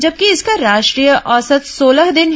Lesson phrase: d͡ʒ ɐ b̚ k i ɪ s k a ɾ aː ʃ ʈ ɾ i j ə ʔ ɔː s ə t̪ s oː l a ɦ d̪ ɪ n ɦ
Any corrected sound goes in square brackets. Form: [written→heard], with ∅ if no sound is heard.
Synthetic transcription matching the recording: d͡ʒ ɐ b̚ k i ɪ s k a ɾ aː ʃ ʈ ɾ i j ə ʔ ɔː s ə t̪ s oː l [a→ə] ɦ d̪ ɪ n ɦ